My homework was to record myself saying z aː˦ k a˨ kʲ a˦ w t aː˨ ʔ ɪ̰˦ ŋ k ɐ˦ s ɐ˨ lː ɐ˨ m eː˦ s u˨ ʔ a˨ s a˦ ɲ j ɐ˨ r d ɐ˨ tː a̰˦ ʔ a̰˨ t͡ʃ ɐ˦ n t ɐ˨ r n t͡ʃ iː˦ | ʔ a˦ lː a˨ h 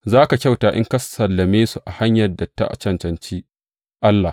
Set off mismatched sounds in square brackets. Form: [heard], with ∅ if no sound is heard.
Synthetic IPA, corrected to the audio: z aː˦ k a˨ kʲ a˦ w t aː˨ ʔ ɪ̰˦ ŋ k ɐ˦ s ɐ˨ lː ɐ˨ m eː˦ s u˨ ʔ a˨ [h] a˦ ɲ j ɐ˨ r d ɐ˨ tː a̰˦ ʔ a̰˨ t͡ʃ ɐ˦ n [t͡ʃ] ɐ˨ [∅] n t͡ʃ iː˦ | ʔ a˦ lː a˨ h